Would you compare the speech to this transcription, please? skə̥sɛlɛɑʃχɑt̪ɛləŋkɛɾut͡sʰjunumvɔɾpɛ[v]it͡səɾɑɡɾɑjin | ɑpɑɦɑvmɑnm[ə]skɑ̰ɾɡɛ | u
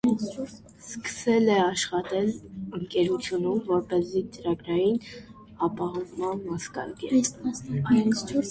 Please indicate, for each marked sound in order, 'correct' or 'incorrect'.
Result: incorrect: z, incorrect: ɑ

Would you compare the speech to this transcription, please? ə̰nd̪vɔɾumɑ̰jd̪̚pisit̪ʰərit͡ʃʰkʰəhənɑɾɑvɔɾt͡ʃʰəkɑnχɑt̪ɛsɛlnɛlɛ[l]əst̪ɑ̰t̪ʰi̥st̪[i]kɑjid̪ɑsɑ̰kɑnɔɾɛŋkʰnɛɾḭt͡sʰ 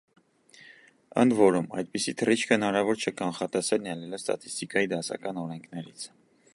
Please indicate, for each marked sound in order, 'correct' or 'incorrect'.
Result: correct, correct

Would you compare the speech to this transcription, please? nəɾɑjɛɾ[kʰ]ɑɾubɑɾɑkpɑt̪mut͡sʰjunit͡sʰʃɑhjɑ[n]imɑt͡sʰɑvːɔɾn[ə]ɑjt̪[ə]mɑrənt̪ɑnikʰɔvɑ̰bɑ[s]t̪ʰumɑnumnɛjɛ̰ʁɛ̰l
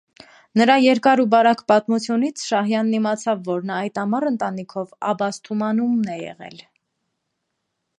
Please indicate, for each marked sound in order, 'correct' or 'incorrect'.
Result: incorrect: k, incorrect: nː, incorrect: ɑ, incorrect: ɑ, correct

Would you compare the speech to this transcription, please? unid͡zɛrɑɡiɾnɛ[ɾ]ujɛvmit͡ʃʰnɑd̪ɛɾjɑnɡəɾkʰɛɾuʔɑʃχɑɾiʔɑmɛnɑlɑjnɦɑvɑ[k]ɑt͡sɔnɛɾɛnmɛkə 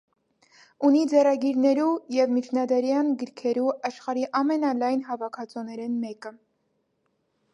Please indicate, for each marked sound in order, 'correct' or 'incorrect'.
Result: correct, incorrect: kʰ

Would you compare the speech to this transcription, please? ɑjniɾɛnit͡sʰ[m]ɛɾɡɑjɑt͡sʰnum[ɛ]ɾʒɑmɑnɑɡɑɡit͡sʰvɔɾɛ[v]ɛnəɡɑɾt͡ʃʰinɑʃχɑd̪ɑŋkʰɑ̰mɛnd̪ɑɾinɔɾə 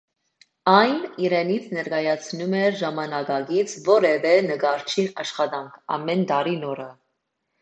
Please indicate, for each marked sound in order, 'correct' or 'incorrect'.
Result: incorrect: n, correct, correct

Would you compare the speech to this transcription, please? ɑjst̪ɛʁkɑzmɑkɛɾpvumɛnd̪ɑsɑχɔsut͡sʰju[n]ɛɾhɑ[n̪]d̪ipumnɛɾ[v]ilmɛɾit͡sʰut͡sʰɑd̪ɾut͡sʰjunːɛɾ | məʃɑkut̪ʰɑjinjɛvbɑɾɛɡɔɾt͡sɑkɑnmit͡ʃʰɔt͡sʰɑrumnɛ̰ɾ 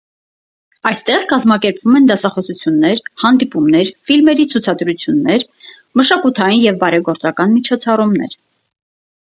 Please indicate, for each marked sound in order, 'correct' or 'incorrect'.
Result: incorrect: nː, correct, incorrect: f

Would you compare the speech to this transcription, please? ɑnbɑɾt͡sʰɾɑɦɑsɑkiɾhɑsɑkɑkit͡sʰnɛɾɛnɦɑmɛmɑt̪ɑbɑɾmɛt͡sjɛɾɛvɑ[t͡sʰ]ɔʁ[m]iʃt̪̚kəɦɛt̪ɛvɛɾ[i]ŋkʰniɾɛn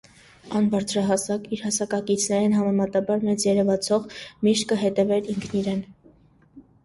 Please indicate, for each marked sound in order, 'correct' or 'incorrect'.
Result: correct, correct, correct

